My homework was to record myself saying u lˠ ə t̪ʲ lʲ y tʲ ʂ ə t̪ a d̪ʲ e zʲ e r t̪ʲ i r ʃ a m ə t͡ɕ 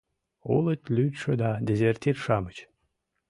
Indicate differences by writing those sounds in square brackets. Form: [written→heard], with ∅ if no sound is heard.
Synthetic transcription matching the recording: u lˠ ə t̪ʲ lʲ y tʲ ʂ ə [t̪→d̪] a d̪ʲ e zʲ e r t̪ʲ i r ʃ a m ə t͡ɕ